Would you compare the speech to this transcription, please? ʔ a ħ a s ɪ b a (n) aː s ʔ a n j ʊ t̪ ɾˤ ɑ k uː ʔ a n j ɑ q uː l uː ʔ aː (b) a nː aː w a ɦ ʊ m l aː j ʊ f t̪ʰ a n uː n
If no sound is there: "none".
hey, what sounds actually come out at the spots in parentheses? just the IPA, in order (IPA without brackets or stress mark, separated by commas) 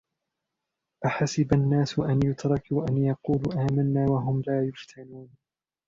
nː, m